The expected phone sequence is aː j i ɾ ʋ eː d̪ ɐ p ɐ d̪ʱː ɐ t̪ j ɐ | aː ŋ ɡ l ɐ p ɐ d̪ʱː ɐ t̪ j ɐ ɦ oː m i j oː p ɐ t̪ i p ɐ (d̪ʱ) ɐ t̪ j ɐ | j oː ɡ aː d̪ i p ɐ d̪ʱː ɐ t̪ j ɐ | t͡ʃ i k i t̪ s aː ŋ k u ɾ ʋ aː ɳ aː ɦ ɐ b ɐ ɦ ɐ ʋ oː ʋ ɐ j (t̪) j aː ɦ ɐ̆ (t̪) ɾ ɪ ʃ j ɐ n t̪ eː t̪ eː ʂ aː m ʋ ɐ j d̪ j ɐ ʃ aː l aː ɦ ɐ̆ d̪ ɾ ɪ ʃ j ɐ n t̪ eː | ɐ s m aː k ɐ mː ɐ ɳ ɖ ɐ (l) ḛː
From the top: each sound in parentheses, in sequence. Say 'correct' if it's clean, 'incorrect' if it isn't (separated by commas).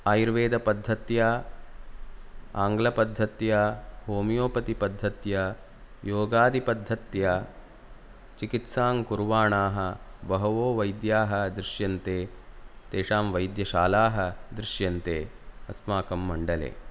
incorrect, incorrect, incorrect, correct